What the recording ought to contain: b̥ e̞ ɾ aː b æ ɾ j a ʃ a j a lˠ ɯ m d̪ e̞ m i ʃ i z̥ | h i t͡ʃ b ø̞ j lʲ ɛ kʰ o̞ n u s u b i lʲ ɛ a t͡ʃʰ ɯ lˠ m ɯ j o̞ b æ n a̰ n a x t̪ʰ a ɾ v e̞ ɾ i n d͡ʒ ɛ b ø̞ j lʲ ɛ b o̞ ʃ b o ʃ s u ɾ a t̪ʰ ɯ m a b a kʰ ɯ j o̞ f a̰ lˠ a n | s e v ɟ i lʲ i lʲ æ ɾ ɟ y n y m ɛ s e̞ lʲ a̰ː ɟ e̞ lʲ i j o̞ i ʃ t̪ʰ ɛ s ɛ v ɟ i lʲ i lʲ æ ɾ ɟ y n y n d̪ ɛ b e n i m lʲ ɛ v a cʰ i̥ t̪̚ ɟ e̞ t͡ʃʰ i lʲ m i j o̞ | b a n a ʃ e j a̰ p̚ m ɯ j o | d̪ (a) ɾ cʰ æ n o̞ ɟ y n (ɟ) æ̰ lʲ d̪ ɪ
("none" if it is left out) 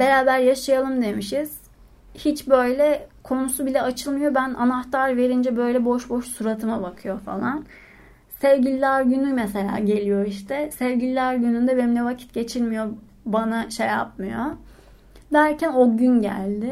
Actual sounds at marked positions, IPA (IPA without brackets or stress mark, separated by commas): æ, ɟ